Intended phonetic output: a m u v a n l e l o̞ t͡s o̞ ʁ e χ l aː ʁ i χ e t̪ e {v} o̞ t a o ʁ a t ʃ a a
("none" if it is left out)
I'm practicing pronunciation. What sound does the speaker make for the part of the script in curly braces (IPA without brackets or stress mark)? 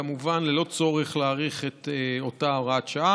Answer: none